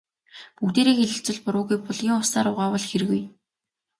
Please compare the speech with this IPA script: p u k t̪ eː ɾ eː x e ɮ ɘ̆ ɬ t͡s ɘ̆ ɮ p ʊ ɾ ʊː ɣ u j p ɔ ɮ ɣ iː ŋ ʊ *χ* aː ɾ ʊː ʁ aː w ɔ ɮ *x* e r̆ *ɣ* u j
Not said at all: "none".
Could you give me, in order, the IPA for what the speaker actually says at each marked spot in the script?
s, x, ɣ

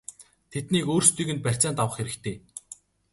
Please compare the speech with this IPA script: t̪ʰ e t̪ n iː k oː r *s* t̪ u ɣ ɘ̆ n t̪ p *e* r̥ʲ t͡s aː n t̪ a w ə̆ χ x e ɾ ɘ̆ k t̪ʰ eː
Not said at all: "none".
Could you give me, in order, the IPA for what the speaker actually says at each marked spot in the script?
s, æ

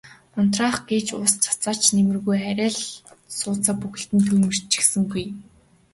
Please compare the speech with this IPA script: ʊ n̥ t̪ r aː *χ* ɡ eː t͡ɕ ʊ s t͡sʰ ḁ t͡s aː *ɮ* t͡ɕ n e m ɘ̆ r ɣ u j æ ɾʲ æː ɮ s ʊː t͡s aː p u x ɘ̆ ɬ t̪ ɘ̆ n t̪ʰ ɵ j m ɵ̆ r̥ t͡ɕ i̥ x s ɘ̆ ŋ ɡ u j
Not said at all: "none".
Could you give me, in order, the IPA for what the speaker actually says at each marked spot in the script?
χ, none

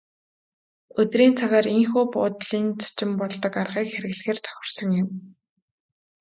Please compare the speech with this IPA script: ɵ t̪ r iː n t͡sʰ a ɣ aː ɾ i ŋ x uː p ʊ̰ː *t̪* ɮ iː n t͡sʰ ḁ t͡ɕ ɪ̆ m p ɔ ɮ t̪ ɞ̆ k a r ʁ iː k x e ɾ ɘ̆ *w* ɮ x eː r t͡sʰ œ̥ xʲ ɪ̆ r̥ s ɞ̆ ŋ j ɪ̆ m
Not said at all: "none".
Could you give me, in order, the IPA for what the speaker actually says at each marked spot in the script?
t̪, ɣ

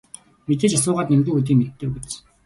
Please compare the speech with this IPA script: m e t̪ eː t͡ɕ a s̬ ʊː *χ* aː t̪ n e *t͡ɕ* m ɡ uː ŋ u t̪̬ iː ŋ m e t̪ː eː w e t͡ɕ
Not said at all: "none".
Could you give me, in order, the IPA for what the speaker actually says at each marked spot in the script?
ʁ, none

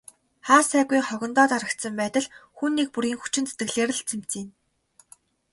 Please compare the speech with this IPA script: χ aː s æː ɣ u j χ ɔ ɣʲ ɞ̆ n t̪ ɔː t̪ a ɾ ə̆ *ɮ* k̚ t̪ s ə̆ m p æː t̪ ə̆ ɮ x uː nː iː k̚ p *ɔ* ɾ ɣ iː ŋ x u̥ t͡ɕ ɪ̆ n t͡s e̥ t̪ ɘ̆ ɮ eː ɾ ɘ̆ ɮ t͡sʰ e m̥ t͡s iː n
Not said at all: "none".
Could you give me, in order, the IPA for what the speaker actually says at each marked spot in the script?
none, u

